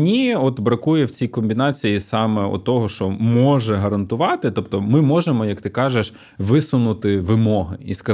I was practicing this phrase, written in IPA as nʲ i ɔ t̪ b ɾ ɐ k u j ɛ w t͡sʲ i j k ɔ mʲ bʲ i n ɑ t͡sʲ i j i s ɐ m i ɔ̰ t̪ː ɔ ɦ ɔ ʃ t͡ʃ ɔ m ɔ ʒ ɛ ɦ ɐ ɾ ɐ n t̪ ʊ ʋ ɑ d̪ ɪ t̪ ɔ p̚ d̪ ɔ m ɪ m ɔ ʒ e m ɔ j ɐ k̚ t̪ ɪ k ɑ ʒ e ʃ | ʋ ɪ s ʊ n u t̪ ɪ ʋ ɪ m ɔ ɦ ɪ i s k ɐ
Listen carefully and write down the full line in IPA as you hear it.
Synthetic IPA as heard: nʲ i ɔ t̪ b ɾ ɐ k u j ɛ w t͡sʲ i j k ɔ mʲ bʲ i n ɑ t͡sʲ i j i s ɑ m ɛ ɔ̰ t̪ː ɔ ɦ ɔ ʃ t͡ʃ ɔ m ɔ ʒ ɛ ɦ ɐ ɾ ɐ n t̪ ʊ ʋ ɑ t̪ ɪ t̪ ɔ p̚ t̪ ɔ m ɪ m ɔ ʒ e m ɔ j ɐ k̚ t̪ ɪ k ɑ ʒ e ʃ | ʋ ɪ s ʊ n ʊ t̪ ɪ ʋ ɪ m ɔ ɦ ɪ i s k ɐ